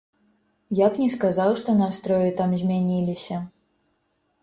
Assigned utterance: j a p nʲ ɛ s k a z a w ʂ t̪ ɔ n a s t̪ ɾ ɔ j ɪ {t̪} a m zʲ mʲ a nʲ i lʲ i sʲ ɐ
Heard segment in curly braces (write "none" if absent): t̪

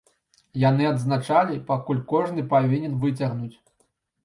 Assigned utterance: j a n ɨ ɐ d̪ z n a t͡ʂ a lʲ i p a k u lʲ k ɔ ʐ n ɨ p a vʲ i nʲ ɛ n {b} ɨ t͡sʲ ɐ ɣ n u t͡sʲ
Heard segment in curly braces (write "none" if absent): v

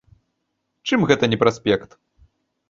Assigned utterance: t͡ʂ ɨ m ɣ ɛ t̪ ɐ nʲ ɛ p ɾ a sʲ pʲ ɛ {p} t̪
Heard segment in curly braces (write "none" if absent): k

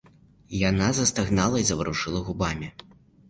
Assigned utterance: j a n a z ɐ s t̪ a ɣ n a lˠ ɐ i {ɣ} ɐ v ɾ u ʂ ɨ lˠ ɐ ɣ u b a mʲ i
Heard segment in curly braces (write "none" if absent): z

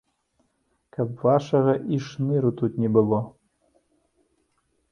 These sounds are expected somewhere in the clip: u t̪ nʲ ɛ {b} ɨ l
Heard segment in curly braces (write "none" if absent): b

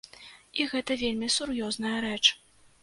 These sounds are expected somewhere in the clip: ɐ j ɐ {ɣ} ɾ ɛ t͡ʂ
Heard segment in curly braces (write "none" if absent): none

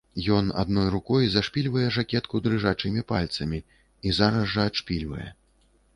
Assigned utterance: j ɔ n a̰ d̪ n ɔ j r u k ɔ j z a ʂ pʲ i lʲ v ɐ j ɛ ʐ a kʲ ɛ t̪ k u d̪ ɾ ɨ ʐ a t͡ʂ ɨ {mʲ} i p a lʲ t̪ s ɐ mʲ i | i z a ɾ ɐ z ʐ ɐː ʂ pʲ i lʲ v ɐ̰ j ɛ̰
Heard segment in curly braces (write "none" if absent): mʲ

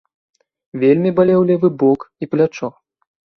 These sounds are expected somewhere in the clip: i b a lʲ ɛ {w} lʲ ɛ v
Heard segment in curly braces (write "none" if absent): w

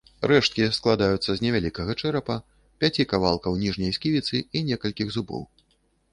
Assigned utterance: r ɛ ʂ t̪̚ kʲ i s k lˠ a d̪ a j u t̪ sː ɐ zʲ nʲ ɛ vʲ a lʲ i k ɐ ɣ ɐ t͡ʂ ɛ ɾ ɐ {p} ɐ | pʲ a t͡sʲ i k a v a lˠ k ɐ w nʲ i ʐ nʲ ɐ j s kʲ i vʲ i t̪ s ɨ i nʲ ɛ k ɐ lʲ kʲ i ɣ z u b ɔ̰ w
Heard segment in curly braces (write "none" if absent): p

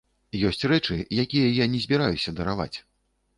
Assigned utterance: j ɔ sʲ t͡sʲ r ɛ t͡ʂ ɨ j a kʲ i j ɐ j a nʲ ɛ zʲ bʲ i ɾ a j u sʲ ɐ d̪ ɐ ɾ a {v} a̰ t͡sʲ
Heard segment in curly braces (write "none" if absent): v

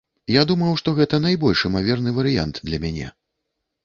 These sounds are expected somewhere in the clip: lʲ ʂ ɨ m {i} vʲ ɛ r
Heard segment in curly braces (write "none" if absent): a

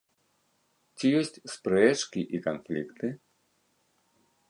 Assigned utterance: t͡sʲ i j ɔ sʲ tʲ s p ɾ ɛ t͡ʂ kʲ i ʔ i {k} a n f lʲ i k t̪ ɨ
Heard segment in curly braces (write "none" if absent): k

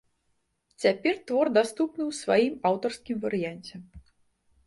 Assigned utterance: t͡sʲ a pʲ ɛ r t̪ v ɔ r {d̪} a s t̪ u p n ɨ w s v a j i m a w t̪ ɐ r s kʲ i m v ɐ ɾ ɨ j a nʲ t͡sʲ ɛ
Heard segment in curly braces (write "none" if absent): d̪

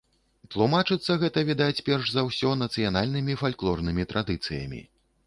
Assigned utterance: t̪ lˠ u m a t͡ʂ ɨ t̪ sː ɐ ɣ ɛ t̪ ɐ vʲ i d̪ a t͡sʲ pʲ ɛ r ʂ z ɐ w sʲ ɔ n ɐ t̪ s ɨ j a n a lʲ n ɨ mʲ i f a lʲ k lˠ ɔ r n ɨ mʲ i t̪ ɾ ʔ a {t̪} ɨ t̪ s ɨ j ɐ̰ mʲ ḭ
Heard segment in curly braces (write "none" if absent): d̪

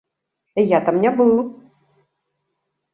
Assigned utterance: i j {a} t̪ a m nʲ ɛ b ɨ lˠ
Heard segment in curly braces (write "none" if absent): a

